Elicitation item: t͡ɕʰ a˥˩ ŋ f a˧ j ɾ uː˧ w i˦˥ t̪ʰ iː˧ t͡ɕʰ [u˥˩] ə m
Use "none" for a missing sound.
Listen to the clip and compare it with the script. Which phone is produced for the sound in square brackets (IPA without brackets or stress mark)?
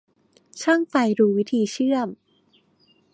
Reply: ɯ˥˩